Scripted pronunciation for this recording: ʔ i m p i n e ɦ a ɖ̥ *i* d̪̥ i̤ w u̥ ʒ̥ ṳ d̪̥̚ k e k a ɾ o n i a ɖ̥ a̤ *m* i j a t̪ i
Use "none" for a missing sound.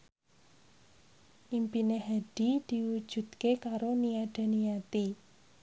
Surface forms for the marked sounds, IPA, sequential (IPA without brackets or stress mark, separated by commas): i, n